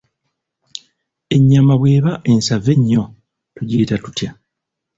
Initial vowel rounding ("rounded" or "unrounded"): unrounded